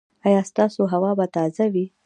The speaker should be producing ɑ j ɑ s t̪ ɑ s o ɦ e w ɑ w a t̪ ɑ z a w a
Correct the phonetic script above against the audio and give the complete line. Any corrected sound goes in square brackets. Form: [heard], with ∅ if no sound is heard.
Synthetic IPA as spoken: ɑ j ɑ s t̪ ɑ s o ɦ [a] w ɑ [b] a t̪ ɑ z a w [i]